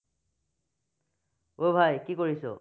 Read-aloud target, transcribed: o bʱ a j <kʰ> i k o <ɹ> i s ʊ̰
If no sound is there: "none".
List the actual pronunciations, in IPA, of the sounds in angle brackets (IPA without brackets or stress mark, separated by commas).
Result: k, ɹ